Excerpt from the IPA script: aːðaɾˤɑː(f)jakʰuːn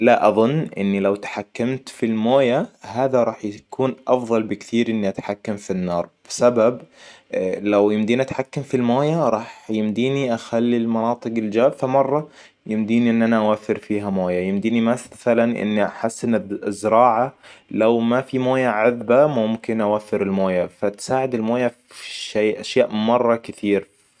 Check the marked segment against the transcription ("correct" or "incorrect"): incorrect